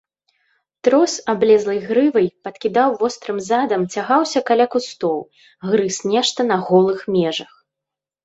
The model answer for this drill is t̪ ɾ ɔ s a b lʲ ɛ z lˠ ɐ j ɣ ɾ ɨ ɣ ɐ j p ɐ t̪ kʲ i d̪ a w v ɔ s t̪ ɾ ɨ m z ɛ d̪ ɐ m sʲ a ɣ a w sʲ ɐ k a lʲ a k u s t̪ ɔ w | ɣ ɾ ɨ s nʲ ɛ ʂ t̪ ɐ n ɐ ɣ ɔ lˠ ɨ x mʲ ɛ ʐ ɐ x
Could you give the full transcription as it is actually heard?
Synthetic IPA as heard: t̪ ɾ ɔ s a b lʲ ɛ z lˠ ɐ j ɣ ɾ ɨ v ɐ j p ɐ t̪ kʲ i d̪ a w v ɔ s t̪ ɾ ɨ m z a d̪ ɐ m t͡sʲ a ɣ a w sʲ ɐ k a lʲ a k u s t̪ ɔ w | ɣ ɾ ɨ s nʲ ɛ ʂ t̪ ɐ n ɐ ɣ ɔ lˠ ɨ x mʲ ɛ ʐ ɐ x